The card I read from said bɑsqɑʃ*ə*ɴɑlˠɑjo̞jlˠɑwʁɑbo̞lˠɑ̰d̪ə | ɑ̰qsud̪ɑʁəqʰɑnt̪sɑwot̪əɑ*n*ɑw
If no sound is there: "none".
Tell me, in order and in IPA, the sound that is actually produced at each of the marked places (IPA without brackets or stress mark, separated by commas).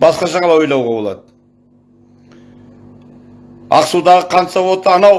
ɑ, n